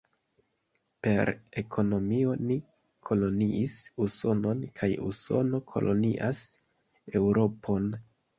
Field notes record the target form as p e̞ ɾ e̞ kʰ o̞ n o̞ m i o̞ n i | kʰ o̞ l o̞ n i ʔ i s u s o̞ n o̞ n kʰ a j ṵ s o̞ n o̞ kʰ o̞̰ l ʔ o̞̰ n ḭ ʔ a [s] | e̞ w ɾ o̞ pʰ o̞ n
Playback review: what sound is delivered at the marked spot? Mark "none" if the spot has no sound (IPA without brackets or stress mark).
s